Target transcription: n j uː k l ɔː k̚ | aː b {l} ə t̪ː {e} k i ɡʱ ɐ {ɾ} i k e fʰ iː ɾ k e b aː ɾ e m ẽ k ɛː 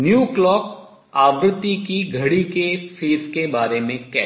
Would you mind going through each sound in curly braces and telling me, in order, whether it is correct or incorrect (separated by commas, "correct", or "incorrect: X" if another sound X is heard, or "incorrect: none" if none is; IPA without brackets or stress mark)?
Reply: incorrect: ɾ, incorrect: i, incorrect: ɽ